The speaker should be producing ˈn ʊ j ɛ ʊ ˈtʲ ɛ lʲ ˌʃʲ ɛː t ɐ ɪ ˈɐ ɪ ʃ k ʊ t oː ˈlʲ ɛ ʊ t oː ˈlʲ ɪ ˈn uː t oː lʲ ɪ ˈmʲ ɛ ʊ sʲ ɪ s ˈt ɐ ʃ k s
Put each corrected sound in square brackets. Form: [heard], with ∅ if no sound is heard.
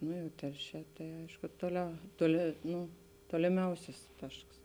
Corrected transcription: ˈn ʊ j ɛ ʊ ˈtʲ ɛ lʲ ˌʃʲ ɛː t ɐ ɪ ˈɐ ɪ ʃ k ʊ t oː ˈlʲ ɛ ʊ t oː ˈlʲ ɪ ˈn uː t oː lʲ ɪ ˈmʲ ɛ ʊ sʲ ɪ s ˈt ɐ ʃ k s